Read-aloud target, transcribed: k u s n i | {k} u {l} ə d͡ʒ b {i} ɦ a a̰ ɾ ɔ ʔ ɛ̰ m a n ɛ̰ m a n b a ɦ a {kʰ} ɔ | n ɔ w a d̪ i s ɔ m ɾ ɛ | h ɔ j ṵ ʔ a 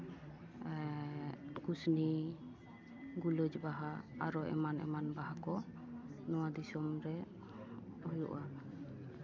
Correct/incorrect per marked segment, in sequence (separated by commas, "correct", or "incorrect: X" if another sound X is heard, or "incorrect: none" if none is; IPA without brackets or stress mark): incorrect: ɡ, correct, incorrect: a, incorrect: k